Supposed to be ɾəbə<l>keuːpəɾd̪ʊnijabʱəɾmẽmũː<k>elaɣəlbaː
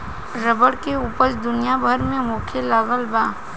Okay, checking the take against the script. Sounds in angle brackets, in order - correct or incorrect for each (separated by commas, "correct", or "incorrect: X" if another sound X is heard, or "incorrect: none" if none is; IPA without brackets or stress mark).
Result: incorrect: ɽ, incorrect: kʰ